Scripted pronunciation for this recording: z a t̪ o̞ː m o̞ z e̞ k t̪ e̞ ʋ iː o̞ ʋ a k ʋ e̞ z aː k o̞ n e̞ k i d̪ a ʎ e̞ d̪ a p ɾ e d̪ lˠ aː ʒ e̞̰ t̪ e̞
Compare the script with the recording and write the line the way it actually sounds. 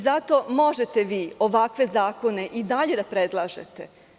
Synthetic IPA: z a t̪ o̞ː m o̞ ʒ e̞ t̪ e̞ ʋ iː o̞ ʋ a k ʋ e̞ z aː k o̞ n e̞ ʔ i d̪ a ʎ e̞ d̪ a p ɾ e d̪ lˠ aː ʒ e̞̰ t̪ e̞

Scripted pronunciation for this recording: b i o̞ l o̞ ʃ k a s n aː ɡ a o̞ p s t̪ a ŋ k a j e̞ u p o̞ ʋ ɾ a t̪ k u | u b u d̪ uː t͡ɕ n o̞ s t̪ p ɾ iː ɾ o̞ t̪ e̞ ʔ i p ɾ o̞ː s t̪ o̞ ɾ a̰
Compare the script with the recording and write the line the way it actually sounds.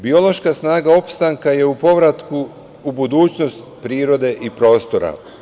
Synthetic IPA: b i o̞ l o̞ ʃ k a s n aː ɡ a o̞ p s t̪ a ŋ k a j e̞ u p o̞ ʋ ɾ a t̪ k u | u b u d̪ uː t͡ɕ n o̞ s t̪ p ɾ iː ɾ o̞ d̪ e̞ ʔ i p ɾ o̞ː s t̪ o̞ ɾ a̰

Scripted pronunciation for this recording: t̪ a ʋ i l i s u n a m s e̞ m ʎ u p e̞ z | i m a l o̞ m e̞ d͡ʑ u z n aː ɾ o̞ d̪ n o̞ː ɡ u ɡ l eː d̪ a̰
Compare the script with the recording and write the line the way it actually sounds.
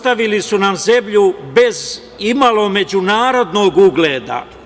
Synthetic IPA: t̪ a ʋ i l i s u n a m z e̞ m ʎ u b e̞ z | i m a l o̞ m e̞ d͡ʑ u n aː ɾ o̞ d̪ n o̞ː ɡ u ɡ l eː d̪ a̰

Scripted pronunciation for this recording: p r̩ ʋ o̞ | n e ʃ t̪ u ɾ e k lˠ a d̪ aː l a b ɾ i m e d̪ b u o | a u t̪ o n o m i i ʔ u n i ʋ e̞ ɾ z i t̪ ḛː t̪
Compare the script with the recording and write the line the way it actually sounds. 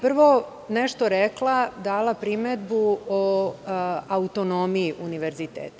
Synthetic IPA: p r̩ ʋ o̞ | n e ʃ t̪ o ɾ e k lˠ a d̪ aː l a p ɾ i m e d̪ b u o | a u t̪ o n o m i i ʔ u n i ʋ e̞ ɾ z i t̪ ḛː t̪

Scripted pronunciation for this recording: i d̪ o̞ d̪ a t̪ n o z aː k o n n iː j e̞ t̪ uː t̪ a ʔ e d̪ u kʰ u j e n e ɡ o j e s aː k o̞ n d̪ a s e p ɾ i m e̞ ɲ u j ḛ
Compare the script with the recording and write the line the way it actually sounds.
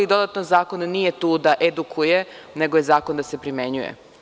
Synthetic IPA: i d̪ o̞ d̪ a t̪ n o z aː k o n n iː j e̞ t̪ uː d̪ a ʔ e d̪ u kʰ u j e n e ɡ o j e z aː k o̞ n d̪ a s e p ɾ i m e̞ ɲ u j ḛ

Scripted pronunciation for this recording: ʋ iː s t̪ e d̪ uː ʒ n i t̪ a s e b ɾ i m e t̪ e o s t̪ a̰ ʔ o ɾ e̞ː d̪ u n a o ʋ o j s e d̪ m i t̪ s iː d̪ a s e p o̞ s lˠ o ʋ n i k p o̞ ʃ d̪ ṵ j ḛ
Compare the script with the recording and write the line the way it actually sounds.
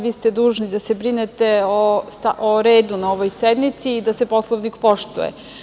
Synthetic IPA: ʋ iː s t̪ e d̪ uː ʒ n i d̪ a s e b ɾ i n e t̪ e o s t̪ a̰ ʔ o ɾ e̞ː d̪ u n a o ʋ o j s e d̪ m i t̪ s iː d̪ a s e p o̞ s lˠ o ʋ n i k p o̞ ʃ t̪ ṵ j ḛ

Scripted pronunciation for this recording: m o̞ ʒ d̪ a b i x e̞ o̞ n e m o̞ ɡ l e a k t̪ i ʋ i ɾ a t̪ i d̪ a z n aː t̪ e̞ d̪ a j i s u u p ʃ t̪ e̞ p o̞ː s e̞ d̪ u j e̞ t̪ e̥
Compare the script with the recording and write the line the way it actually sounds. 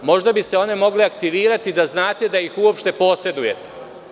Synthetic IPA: m o̞ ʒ d̪ a b i s e̞ o̞ n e m o̞ ɡ l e a k t̪ i ʋ iː ɾ a t̪ i d̪ a z n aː t̪ e̞ d̪ a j i x u o p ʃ t̪ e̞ p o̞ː s e̞ d̪ u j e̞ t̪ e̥

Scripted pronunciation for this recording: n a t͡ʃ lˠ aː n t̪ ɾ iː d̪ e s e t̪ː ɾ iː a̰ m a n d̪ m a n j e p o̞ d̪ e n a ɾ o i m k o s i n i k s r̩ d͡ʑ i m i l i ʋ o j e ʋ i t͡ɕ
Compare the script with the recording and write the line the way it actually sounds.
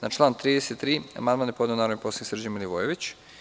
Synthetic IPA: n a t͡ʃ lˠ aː n t̪ ɾ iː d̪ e s e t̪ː ɾ iː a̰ m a n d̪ m a n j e p o̞ d̪ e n a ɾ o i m p o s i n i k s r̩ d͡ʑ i m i l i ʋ o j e ʋ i t͡ɕ

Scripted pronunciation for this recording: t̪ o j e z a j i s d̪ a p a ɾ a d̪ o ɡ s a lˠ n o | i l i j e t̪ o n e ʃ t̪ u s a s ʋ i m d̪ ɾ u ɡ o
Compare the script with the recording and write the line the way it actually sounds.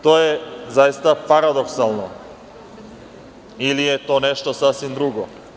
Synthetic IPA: t̪ o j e z a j i s t̪ a p a ɾ a d̪ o k s a lˠ n o | i l i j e t̪ o n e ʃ t̪ o s a s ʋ i m d̪ ɾ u ɡ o

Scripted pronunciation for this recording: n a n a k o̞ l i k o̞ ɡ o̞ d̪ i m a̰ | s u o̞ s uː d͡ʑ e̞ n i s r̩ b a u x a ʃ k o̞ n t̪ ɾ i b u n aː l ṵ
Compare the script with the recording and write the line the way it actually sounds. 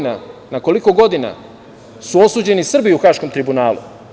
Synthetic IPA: n a n a k o̞ l i k o̞ ɡ o̞ d̪ i n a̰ | s u o̞ s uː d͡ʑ e̞ n i s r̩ b i u x a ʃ k o̞ m t̪ ɾ i b u n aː l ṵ

